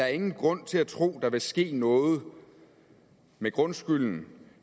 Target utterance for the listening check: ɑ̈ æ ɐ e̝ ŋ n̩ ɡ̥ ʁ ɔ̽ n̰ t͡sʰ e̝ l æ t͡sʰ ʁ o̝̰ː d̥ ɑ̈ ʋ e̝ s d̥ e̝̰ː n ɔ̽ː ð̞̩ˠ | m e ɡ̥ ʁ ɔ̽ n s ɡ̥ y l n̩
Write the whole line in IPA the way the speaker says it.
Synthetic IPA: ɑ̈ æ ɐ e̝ ŋ n̩ ɡ̥ ʁ ɔ̽ n̰ t͡sʰ e̝ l æ t͡sʰ ʁ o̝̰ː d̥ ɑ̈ ʋ e̝ s ɡ̥ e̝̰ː n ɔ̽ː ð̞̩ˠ | m e ɡ̥ ʁ ɔ̽ n s ɡ̥ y l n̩